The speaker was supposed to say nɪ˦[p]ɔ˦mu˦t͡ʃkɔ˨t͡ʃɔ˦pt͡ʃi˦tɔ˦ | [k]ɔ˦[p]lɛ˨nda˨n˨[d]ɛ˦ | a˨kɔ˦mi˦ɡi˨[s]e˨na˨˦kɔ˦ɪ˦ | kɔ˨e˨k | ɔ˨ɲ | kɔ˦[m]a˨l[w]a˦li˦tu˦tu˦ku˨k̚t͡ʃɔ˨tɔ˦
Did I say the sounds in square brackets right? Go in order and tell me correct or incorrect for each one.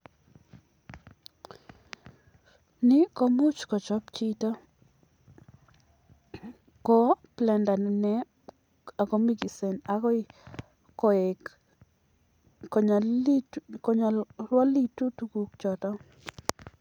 incorrect: k, correct, correct, incorrect: n, correct, incorrect: ɲ, correct

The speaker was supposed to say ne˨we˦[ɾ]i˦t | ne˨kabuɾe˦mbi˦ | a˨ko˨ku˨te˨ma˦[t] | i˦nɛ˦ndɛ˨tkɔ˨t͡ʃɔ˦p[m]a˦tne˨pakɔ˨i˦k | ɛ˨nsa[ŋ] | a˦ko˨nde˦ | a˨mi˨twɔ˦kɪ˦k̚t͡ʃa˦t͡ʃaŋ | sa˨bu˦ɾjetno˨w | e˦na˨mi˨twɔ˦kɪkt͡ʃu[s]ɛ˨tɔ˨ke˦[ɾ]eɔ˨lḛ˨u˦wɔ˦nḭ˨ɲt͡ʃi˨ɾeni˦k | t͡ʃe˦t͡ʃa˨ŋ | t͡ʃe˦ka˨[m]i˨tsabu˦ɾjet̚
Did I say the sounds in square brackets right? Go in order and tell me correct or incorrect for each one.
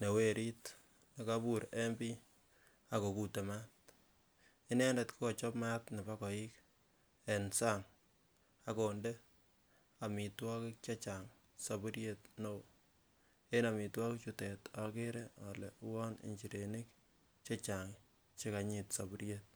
correct, correct, correct, correct, incorrect: t, correct, incorrect: ɲ

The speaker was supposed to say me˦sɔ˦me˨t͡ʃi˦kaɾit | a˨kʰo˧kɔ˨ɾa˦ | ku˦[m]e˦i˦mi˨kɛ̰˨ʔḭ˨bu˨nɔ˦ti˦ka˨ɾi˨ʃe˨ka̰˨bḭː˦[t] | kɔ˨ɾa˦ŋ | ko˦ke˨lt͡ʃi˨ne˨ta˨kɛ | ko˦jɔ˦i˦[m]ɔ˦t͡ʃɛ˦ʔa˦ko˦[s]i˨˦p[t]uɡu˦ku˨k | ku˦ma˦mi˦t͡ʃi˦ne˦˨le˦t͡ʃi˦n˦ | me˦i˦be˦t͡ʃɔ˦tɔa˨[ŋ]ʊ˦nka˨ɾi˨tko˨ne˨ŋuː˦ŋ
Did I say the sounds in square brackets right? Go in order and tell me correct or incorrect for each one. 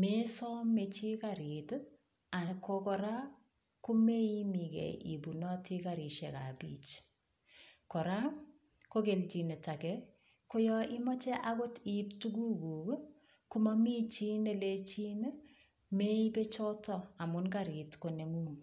correct, incorrect: t͡ʃ, correct, incorrect: t, correct, incorrect: m

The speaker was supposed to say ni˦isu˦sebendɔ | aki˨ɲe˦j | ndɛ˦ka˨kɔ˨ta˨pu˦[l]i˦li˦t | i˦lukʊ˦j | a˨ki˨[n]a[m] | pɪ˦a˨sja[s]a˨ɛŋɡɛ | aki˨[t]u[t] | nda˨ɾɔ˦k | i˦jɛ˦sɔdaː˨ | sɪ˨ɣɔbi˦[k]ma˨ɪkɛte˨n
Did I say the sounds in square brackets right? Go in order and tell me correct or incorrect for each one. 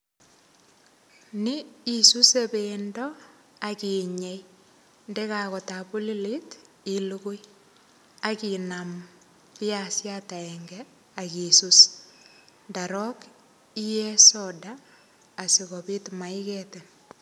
correct, correct, correct, incorrect: t, incorrect: s, incorrect: s, incorrect: t

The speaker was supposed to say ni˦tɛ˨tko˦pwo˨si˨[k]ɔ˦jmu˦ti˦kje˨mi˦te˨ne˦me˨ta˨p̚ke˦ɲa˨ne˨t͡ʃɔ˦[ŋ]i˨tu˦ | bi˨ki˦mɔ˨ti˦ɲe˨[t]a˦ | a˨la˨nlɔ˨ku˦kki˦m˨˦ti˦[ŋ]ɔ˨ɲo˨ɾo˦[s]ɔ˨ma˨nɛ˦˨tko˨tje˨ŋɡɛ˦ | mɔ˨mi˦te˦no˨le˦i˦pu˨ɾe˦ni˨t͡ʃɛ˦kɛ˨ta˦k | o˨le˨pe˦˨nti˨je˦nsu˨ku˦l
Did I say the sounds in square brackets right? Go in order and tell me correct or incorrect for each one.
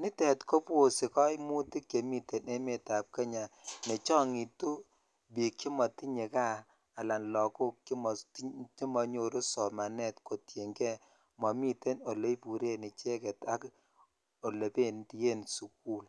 correct, correct, incorrect: k, incorrect: m, correct

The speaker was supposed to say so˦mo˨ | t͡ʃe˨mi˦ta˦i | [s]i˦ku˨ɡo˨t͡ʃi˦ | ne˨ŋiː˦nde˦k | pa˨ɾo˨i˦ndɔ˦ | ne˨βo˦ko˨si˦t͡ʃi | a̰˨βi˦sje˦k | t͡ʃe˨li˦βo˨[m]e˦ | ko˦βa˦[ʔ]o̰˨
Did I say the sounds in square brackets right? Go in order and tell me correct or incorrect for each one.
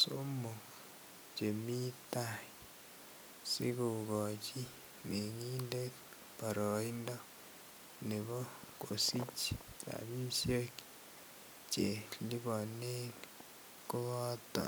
correct, incorrect: n, incorrect: t

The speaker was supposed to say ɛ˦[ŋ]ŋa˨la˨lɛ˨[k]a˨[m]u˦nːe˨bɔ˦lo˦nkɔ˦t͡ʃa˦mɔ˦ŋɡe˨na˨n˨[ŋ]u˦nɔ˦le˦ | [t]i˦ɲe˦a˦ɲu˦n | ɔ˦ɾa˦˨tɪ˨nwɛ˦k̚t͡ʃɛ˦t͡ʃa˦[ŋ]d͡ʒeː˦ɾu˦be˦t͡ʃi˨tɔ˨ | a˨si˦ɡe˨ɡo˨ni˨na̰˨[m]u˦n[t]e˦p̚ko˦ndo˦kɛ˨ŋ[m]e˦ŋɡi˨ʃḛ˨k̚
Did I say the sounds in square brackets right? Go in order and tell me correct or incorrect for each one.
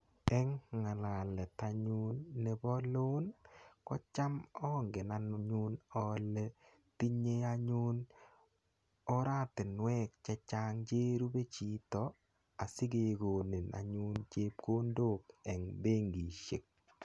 correct, incorrect: t, incorrect: ɲ, incorrect: ɲ, correct, correct, incorrect: ɲ, incorrect: t͡ʃ, incorrect: b

